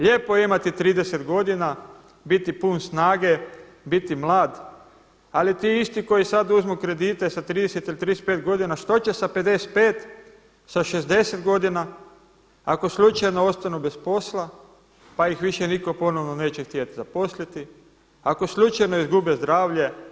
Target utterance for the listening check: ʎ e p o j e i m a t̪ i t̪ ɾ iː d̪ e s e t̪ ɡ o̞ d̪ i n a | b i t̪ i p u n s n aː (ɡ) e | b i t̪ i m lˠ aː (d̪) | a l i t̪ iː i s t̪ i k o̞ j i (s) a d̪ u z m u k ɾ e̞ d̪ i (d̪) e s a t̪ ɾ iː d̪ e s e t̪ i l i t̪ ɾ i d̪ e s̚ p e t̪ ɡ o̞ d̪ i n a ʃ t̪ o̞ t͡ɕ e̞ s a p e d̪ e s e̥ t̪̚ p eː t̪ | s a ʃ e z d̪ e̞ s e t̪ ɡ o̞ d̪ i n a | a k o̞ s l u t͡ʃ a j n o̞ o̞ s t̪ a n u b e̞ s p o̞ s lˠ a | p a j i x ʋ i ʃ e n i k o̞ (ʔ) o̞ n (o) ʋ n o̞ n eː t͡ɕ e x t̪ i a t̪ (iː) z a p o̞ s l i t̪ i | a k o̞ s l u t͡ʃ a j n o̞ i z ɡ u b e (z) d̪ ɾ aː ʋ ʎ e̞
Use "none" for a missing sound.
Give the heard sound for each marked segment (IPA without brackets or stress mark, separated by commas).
ɡ, d̪, s, t̪, p, o, i, z